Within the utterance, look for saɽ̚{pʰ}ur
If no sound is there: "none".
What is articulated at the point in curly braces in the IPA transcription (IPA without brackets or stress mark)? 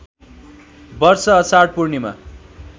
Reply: p